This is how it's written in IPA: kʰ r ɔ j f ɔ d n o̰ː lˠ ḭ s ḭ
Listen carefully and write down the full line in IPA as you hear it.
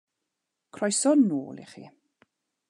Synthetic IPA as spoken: kʰ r ɔ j s ɔ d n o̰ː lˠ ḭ χ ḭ